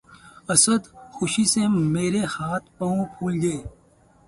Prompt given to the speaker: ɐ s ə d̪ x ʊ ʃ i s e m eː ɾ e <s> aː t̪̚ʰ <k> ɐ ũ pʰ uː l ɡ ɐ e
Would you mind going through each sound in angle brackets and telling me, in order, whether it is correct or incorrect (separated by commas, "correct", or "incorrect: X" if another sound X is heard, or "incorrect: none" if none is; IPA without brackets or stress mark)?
incorrect: h, incorrect: p